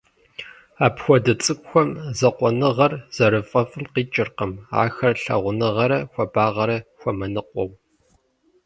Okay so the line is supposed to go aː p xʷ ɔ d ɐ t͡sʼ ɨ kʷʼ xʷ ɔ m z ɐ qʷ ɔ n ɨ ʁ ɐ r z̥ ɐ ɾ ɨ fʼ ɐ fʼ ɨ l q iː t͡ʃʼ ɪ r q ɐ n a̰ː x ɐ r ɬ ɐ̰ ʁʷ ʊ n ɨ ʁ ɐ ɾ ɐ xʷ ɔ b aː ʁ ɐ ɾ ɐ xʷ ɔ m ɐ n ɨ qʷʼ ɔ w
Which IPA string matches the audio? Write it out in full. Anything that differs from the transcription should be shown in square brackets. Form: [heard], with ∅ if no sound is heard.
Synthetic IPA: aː p xʷ ɔ d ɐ t͡sʼ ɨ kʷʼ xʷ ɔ m z ɐ qʷ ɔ n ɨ ʁ ɐ r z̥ ɐ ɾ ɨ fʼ ɐ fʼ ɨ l q iː t͡ʃʼ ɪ r q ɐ [m] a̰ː x ɐ r ɬ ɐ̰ ʁʷ ʊ n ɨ ʁ ɐ ɾ ɐ xʷ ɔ b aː ʁ ɐ ɾ ɐ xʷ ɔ m ɐ n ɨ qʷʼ ɔ w